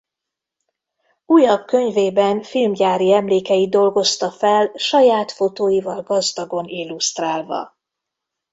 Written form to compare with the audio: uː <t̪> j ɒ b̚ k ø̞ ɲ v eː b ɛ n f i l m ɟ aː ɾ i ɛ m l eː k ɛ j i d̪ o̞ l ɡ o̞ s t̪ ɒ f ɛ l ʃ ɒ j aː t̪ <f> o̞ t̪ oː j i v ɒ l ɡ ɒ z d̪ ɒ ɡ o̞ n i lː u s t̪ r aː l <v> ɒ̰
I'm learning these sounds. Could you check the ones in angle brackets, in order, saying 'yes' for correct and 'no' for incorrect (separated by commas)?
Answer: no, yes, yes